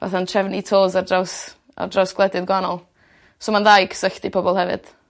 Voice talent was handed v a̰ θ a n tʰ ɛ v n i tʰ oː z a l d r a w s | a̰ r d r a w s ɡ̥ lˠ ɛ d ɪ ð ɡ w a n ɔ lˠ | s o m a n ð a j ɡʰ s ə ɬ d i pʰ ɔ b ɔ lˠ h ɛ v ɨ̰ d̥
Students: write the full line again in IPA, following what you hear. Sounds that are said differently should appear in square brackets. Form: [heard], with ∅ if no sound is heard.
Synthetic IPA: v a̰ θ a n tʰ ɛ v n i tʰ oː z a [r] d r a w s | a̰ r d r a w s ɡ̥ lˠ ɛ d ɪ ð ɡ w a n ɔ lˠ | s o m a n ð a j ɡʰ s ə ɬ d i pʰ ɔ b ɔ lˠ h ɛ v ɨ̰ d̥